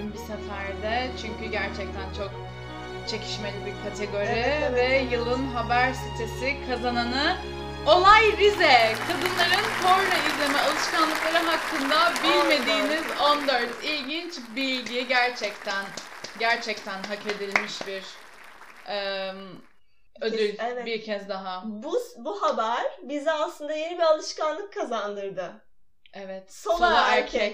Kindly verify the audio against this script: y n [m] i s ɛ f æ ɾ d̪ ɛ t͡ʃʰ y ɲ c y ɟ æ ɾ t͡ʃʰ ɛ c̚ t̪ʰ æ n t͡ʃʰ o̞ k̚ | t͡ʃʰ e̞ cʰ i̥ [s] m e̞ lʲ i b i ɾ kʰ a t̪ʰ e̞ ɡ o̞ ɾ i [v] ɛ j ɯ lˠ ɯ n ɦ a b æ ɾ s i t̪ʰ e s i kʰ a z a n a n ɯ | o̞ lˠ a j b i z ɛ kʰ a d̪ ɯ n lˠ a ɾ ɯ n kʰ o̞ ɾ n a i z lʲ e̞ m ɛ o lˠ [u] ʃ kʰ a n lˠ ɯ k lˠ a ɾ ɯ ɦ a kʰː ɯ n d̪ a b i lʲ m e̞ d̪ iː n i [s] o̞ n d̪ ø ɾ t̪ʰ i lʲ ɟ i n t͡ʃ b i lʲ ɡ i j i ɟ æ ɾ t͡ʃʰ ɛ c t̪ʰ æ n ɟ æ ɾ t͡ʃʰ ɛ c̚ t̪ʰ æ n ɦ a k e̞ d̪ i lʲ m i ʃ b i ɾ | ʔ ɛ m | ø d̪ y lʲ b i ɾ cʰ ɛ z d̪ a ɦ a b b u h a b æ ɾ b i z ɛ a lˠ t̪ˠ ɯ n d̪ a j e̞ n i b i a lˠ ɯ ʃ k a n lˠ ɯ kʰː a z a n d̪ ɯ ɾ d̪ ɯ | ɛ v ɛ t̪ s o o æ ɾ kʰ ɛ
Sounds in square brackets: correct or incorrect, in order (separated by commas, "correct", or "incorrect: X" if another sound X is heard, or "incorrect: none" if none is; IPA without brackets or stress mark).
incorrect: b, incorrect: ʃ, correct, incorrect: ɯ, incorrect: z